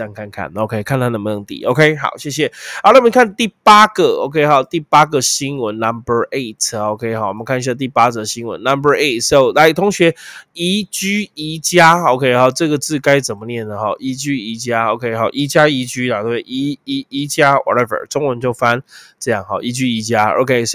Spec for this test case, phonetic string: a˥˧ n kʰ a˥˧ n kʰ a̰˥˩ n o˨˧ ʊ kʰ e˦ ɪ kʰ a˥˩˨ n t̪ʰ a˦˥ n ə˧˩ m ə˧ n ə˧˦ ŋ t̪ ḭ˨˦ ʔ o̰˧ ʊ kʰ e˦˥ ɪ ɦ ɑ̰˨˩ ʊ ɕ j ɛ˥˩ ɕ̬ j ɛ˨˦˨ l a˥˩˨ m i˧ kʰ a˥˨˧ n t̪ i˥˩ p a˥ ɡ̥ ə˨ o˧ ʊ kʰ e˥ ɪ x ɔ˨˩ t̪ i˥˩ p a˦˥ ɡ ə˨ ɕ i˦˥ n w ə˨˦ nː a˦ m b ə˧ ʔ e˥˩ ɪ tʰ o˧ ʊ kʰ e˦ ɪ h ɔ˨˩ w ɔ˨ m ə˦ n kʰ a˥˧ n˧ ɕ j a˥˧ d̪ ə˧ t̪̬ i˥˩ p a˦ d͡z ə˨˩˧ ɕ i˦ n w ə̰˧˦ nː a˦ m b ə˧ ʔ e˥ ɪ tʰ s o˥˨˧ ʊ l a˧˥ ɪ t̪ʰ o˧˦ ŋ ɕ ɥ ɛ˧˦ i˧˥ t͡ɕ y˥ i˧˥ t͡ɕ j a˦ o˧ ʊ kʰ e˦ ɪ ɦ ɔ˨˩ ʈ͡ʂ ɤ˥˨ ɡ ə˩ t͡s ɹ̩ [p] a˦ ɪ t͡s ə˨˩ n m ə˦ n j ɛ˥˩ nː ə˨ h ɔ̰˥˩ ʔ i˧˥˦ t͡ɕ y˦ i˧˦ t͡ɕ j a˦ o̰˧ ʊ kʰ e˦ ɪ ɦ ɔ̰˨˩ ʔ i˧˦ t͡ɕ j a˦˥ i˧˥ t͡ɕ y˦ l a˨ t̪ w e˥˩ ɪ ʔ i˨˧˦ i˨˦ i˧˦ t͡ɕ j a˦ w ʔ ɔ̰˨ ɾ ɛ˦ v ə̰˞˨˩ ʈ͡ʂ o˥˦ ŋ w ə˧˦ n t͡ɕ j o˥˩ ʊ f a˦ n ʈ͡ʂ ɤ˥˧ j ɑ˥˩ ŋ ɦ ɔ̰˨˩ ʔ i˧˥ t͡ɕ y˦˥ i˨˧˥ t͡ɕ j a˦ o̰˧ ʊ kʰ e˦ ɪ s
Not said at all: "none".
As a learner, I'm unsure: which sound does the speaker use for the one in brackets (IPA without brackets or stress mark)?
k